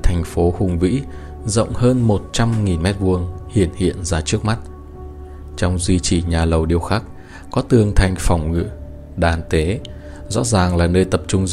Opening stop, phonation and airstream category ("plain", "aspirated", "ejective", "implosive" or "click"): aspirated